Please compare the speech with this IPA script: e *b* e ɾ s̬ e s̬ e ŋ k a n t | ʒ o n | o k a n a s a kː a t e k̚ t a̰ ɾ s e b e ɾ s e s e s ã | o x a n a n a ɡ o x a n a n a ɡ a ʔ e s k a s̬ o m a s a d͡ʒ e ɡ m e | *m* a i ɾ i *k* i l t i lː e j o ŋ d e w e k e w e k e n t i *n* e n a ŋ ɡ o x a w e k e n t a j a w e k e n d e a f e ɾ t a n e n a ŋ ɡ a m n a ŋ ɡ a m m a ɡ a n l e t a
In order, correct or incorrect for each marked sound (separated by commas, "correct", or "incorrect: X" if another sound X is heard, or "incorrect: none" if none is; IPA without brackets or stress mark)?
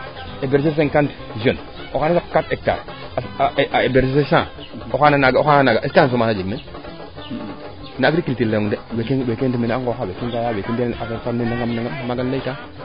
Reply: correct, incorrect: n, correct, incorrect: m